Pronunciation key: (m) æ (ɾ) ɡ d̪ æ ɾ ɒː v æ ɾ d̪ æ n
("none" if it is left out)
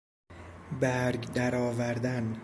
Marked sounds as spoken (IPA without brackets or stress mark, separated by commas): b, ɾ